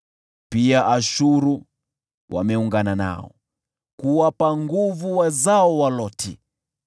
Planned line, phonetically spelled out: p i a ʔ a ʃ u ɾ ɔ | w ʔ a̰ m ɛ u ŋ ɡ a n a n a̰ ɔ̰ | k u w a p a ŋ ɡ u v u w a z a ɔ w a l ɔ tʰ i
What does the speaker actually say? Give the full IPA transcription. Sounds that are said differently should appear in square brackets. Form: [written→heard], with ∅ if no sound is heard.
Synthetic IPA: p i a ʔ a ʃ u ɾ [ɔ→u] | w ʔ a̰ m ɛ u ŋ ɡ a n a n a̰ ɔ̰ | k u w a p a ŋ ɡ u v u w a z a ɔ w a l ɔ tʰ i